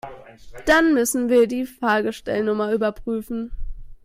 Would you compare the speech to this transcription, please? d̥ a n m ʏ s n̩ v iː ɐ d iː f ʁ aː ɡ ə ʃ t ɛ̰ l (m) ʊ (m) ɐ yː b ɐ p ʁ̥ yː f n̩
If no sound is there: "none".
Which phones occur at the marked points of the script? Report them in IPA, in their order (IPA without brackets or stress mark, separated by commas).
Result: n, m